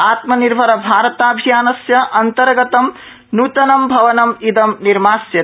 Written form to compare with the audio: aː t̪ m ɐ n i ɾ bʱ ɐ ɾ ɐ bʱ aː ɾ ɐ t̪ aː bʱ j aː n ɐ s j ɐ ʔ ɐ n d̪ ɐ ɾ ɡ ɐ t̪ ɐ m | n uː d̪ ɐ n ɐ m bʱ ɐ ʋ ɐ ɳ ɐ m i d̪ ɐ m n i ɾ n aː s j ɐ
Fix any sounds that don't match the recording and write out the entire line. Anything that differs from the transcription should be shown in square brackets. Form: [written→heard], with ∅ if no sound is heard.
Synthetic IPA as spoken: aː t̪ m ɐ n i ɾ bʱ ɐ ɾ ɐ bʱ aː ɾ ɐ t̪ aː bʱ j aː n ɐ s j ɐ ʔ ɐ n [d̪→t̪] ɐ ɾ ɡ ɐ t̪ ɐ m | n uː [d̪→t̪] ɐ n ɐ m bʱ ɐ ʋ ɐ [ɳ→n] ɐ m i d̪ ɐ m n i ɾ [n→m] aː s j ɐ